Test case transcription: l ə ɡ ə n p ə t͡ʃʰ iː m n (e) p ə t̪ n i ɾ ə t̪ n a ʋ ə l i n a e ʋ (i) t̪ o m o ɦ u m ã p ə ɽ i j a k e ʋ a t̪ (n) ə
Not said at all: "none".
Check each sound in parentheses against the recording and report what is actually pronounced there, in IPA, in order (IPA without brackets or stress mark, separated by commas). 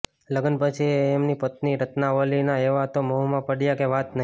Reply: i, a, n